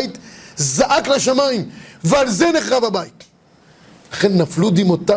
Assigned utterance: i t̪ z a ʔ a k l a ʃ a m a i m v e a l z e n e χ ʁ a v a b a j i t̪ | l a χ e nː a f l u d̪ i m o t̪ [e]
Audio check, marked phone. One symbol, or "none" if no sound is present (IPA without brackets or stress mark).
a